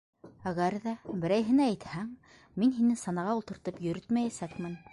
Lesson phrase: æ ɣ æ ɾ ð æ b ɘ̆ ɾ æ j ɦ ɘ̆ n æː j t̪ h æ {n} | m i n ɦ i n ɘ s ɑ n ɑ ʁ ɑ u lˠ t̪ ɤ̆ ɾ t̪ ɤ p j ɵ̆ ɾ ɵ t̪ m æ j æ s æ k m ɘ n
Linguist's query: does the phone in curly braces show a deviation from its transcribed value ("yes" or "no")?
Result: yes